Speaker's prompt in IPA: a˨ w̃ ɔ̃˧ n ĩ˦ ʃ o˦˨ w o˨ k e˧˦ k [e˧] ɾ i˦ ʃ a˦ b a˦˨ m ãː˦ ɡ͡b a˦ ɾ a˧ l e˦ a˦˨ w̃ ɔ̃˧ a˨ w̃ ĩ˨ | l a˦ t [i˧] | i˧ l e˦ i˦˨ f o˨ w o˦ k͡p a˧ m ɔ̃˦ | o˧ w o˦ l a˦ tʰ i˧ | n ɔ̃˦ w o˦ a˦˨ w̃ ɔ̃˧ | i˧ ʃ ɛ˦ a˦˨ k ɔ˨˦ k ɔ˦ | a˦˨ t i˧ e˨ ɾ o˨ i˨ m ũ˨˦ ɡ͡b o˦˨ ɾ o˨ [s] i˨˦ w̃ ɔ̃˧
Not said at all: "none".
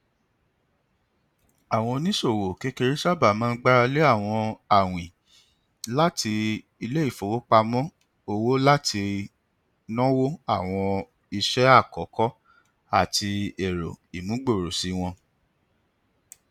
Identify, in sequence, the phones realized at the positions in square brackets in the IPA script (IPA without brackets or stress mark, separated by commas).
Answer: e˧, i˧, s